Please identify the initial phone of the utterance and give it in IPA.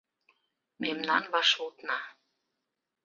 m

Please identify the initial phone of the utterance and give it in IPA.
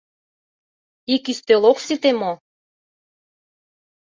i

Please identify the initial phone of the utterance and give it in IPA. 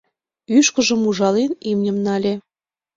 y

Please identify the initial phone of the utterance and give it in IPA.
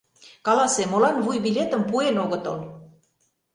k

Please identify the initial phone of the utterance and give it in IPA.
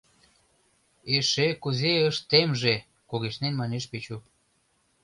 e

